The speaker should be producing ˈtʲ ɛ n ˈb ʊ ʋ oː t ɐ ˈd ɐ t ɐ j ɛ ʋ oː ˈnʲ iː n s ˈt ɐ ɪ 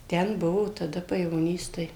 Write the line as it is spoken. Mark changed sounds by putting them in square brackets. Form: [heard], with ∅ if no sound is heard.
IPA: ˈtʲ ɛ n ˈb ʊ ʋ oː t ɐ ˈd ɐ [p] ɐ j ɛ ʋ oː ˈnʲ iː [∅] s ˈt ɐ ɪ